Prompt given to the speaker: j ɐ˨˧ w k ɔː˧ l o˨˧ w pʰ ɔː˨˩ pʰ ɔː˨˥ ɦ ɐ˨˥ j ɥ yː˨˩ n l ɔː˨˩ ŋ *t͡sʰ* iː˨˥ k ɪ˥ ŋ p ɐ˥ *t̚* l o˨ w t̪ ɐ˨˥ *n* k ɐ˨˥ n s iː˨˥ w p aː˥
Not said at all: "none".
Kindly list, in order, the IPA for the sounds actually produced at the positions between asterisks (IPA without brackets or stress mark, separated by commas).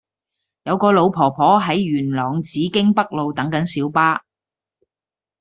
t͡s, k̚, ŋ